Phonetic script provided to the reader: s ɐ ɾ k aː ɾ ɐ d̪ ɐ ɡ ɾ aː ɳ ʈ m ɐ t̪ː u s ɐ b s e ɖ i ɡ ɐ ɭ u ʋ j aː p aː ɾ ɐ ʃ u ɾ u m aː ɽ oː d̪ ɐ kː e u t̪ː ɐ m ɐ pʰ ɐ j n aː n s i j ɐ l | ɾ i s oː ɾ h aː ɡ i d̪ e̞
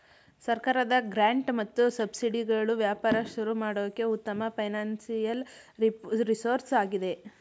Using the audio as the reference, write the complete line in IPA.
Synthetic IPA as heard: s ɐ ɾ k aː ɾ ɐ d̪ ɐ ɡ ɾ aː ɳ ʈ m ɐ t̪ː u s ɐ b s i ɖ i ɡ ɐ ɭ u ʋ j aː p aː ɾ ɐ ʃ u ɾ u m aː ɽ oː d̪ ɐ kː e u t̪ː ɐ m ɐ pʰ ɐ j n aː n s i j ɐ l | ɾ i s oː ɾ s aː ɡ i d̪ e̞